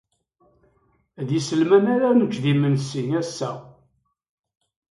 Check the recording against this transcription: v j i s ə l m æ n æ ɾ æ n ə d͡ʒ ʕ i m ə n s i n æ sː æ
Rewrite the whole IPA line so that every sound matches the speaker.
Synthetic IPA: ð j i s ə l m æ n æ ɾ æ n ə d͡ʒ ð i m ə n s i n æ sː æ